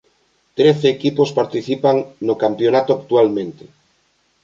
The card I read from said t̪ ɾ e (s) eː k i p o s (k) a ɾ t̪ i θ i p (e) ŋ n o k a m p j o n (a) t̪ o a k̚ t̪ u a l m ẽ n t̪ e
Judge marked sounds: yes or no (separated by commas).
no, no, no, yes